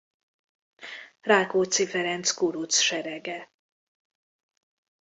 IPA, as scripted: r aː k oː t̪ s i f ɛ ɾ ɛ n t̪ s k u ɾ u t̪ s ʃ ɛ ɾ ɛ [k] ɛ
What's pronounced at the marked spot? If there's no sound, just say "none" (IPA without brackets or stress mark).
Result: ɡ